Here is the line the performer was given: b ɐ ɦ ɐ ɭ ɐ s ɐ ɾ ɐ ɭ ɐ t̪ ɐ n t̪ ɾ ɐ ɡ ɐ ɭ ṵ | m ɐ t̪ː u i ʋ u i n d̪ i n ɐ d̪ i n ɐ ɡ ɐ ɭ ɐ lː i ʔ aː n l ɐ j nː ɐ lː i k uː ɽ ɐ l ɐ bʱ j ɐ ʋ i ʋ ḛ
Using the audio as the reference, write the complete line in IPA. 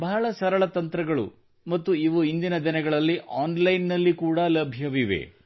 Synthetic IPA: b ɐ ɦ ɐ ɭ ɐ s ɐ ɾ ɐ ɭ ɐ t̪ ɐ n t̪ ɾ ɐ ɡ ɐ ɭ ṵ | m ɐ t̪ː u i ʋ u i n d̪ i n ɐ d̪ i n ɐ ɡ ɐ ɭ ɐ lː i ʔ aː n l ɐ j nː ɐ lː i k uː ɽ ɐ l ɐ bʱ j ɐ ʋ i ʋ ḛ